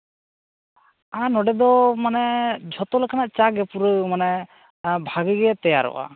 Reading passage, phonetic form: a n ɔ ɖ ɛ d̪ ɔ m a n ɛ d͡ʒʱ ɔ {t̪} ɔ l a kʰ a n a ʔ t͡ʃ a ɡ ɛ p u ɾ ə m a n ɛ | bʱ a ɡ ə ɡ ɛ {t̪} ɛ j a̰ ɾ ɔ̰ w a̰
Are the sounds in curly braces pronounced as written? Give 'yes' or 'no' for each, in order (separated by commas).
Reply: yes, yes